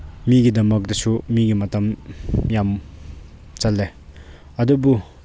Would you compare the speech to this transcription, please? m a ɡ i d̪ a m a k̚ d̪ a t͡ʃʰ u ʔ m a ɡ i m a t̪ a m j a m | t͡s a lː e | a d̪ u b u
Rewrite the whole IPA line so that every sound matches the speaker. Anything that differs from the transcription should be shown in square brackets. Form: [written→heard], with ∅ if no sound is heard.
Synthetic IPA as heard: m [a→i] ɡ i d̪ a m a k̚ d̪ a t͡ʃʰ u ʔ m [a→i] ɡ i m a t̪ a m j a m | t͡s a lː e | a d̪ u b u